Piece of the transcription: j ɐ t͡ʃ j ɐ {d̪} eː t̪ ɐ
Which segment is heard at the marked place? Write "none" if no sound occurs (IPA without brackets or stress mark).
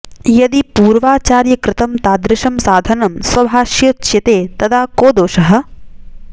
t̪